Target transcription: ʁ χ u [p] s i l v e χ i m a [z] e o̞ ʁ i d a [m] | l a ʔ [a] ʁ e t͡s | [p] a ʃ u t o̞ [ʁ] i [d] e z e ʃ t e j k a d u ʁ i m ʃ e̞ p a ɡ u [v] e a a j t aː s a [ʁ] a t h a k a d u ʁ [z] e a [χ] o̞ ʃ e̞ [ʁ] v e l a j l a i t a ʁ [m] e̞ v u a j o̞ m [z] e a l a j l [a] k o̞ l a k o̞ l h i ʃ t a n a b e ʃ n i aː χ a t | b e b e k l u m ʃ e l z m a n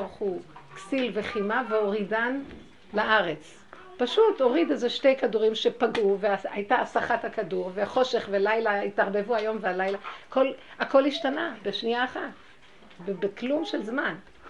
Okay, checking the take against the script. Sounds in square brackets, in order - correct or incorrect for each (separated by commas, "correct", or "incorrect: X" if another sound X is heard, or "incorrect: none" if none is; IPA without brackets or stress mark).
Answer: incorrect: k, incorrect: v, incorrect: n, correct, correct, correct, correct, correct, incorrect: χ, incorrect: v, correct, incorrect: χ, incorrect: b, incorrect: v, correct